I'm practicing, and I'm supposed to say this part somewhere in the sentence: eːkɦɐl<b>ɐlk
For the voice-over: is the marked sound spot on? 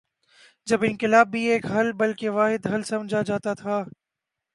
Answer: yes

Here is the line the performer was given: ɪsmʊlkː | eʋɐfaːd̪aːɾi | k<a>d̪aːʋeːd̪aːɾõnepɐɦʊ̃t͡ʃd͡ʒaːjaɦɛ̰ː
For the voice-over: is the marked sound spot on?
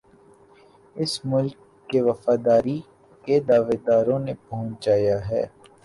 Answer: no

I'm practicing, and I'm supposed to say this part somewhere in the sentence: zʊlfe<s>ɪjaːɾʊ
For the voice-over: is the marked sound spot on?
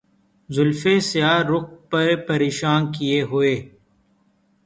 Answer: yes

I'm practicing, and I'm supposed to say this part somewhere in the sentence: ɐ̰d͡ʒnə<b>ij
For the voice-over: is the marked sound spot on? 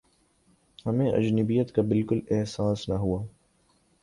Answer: yes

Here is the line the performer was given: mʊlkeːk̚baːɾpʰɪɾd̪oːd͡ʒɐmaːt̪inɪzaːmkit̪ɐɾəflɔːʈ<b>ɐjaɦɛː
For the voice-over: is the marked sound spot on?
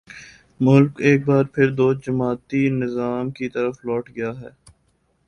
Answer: no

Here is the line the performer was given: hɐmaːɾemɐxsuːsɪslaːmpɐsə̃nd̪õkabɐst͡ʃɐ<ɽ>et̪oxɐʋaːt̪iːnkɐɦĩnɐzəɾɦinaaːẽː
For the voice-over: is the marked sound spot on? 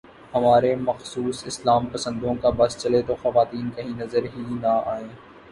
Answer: no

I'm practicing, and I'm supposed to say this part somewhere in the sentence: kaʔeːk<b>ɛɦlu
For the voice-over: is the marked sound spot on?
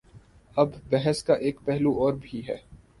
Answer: no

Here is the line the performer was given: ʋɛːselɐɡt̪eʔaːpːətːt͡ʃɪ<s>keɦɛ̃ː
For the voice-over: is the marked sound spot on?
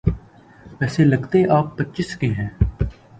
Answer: yes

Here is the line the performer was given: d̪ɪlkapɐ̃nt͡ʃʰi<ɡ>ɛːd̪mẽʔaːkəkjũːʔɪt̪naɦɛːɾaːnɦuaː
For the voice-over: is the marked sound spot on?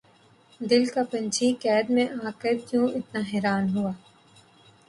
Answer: no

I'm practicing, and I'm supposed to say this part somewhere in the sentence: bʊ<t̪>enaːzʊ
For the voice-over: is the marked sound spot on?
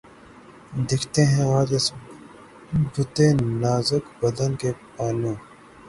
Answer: yes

